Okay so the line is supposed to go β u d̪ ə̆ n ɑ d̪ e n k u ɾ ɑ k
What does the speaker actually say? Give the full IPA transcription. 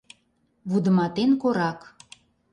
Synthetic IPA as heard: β u d̪ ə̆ m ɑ t̪ e n k o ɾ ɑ k